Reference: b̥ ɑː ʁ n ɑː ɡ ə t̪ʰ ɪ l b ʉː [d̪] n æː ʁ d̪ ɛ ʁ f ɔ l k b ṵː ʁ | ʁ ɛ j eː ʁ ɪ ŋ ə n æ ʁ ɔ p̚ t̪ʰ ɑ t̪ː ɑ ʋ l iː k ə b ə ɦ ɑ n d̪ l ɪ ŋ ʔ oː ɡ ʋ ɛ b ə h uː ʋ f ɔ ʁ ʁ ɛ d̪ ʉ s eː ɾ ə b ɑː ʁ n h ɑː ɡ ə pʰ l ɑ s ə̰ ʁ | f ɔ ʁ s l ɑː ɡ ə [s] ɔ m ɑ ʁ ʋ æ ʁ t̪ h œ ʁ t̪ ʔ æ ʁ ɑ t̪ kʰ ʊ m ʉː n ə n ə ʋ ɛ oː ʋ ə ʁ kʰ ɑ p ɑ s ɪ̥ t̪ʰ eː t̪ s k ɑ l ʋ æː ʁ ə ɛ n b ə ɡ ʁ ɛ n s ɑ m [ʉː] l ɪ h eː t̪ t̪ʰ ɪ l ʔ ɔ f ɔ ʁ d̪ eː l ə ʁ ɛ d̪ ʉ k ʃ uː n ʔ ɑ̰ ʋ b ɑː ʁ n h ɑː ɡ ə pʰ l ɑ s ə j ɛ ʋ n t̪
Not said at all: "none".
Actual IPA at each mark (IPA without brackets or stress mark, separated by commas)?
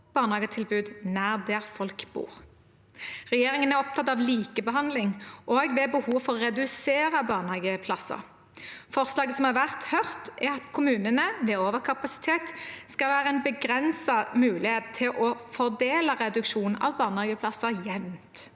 d̪, s, ʉː